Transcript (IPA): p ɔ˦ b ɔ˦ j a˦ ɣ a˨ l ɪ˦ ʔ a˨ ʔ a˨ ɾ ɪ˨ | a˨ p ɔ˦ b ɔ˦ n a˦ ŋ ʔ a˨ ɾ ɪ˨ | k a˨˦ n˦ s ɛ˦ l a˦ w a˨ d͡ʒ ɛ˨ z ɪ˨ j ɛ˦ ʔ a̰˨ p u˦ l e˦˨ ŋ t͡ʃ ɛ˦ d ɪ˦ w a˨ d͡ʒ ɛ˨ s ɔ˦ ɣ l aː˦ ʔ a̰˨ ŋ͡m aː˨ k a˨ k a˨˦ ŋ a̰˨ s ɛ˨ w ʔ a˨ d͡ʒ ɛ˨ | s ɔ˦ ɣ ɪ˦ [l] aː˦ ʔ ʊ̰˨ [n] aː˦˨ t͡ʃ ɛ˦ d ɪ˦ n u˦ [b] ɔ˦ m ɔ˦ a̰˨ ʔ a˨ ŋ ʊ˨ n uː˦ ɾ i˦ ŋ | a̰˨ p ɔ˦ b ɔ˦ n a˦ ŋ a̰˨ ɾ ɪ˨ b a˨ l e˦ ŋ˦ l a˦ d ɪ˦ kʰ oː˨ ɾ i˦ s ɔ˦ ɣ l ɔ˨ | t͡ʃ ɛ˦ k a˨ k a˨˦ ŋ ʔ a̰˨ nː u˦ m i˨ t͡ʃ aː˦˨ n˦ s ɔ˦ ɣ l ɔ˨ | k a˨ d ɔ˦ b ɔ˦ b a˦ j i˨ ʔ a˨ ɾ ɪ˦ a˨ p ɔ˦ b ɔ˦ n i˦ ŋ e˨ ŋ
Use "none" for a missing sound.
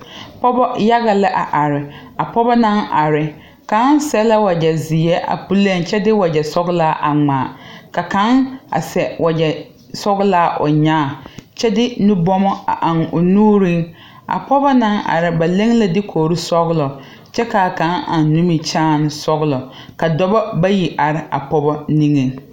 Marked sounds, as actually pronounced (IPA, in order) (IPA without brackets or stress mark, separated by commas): l, ɲ, b